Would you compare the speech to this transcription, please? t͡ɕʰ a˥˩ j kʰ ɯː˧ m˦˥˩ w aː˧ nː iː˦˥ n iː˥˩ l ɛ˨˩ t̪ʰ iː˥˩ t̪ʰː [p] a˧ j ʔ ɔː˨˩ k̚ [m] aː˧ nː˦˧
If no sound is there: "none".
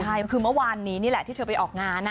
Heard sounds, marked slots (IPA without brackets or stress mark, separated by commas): p, ŋ